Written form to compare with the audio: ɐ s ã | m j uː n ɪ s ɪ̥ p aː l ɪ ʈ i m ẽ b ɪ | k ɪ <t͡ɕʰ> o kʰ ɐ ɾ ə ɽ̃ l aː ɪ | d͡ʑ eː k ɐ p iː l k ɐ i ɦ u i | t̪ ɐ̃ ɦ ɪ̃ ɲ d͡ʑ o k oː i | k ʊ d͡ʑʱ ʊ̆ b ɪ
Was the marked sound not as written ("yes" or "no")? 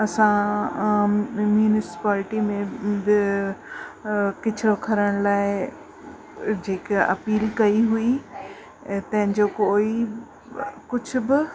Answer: no